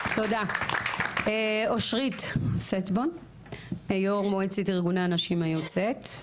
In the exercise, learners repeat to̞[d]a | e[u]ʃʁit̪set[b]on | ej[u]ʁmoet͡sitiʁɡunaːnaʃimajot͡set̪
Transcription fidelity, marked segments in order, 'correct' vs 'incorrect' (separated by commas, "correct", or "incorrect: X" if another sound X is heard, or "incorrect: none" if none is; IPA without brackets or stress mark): correct, incorrect: o, correct, incorrect: o